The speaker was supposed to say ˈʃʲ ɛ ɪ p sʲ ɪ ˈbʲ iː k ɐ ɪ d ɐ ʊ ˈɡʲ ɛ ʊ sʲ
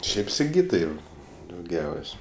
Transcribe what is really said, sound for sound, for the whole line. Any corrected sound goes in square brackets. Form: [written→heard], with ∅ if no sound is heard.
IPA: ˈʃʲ ɛ ɪ p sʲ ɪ [ˈbʲ→ˈɡʲ] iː [k→t] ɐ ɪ d ɐ ʊ ˈɡʲ ɛ ʊ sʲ